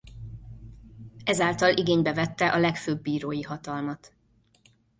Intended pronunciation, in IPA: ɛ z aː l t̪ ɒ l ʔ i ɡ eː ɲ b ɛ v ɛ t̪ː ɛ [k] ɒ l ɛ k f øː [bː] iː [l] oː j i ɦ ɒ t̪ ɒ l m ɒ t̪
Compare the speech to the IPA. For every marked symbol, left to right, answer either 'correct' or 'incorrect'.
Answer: incorrect, correct, incorrect

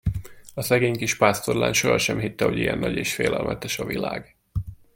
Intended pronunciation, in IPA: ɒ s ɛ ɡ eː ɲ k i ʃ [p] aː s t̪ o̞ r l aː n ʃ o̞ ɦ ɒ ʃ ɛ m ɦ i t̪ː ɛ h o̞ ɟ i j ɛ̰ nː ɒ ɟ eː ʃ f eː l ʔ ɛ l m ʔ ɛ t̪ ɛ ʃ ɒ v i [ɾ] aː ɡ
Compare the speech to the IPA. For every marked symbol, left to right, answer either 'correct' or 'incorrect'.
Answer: correct, incorrect

